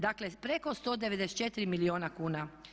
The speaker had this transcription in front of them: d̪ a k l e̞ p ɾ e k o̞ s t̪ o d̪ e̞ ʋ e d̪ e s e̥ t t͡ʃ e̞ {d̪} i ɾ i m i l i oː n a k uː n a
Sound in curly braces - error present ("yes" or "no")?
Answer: yes